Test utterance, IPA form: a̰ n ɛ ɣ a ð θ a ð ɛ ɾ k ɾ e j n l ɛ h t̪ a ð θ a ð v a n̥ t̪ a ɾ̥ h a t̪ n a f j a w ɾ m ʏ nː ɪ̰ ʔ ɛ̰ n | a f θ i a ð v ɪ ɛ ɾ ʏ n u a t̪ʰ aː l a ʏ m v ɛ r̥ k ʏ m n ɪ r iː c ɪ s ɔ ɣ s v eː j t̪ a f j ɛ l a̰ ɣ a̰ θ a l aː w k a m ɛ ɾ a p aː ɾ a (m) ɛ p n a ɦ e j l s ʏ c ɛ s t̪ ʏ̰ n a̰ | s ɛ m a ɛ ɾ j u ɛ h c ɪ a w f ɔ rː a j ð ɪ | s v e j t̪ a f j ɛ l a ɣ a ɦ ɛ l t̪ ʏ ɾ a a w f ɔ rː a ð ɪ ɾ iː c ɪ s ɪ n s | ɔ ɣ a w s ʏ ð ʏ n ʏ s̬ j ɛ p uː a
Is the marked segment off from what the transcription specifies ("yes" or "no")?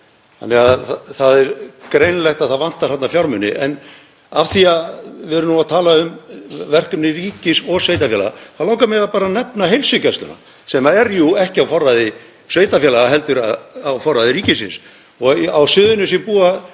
yes